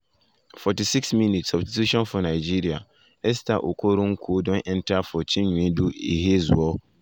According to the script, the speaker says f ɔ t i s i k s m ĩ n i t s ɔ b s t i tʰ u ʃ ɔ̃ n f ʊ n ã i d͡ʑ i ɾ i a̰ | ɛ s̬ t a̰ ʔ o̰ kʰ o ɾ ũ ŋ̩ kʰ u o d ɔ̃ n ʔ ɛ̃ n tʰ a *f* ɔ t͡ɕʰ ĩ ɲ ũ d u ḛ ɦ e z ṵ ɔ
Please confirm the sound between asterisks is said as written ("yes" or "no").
yes